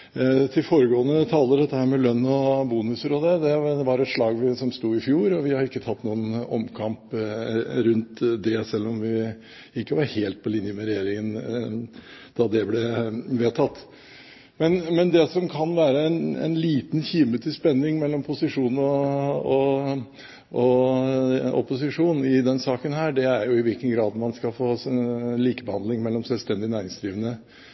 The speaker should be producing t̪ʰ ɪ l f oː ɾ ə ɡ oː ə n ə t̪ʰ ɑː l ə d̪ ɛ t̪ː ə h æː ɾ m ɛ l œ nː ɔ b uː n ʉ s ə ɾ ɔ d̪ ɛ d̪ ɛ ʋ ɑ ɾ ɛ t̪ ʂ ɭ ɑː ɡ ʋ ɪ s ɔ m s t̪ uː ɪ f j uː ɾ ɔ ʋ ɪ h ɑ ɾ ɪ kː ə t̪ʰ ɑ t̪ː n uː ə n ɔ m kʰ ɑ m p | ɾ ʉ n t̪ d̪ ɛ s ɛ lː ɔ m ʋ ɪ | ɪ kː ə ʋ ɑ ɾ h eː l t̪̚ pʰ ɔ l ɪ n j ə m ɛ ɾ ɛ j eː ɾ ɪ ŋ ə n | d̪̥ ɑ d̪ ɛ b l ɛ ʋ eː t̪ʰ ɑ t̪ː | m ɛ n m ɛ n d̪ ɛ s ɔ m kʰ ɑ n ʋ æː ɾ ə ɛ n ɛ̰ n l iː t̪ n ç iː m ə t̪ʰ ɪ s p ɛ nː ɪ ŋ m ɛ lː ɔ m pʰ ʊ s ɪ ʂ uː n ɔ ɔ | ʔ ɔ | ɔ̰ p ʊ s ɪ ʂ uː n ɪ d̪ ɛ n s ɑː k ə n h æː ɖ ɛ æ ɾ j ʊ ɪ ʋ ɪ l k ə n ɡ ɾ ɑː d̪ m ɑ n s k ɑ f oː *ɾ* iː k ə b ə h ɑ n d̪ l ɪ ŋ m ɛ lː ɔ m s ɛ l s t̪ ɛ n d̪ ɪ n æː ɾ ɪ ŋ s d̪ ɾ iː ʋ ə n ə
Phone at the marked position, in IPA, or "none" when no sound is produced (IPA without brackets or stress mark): l